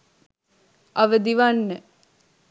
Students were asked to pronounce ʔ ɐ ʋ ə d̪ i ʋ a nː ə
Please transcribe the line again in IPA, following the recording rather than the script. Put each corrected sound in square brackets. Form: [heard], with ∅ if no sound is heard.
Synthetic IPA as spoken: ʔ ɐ ʋ ə d̪ i ʋ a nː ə